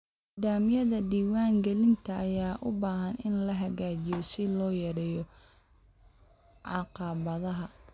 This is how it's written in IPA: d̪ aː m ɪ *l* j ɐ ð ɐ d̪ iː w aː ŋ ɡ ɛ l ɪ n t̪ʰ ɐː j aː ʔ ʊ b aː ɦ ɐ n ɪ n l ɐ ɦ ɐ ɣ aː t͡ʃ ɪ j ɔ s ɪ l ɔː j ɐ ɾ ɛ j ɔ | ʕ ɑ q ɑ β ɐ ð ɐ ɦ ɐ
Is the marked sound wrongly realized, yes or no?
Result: yes